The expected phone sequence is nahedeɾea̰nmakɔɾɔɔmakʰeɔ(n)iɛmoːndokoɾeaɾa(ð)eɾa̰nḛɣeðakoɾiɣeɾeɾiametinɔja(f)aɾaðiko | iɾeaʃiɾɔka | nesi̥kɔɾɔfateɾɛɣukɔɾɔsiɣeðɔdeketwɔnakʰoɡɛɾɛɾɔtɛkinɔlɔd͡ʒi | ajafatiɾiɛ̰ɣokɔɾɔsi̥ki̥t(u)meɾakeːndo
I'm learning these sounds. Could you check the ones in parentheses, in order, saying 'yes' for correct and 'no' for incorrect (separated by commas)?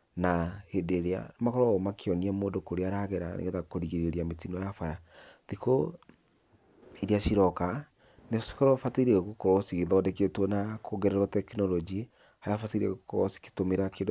yes, no, yes, no